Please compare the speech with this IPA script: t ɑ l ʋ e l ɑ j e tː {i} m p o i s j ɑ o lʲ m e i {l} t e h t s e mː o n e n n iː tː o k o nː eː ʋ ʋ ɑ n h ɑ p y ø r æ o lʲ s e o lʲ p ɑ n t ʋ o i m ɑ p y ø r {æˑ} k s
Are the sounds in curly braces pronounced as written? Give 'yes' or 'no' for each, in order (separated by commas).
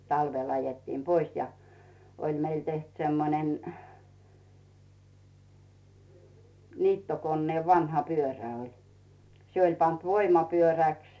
no, yes, yes